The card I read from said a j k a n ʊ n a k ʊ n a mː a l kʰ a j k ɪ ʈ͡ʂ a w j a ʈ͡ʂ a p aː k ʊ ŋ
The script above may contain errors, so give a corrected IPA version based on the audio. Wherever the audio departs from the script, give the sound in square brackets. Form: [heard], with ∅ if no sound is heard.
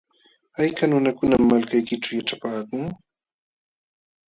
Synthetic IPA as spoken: a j k a n ʊ n a k ʊ n a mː a l [k] a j k ɪ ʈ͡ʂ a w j a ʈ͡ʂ a p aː k ʊ ŋ

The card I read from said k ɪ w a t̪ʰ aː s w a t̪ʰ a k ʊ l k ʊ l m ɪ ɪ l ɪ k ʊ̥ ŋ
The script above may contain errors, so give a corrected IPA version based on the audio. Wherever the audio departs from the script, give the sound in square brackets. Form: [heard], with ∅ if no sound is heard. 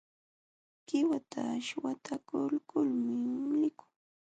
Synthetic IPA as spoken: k ɪ w a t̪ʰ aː [ʃ] w a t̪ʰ a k ʊ l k ʊ l m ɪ ɪ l ɪ k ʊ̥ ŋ

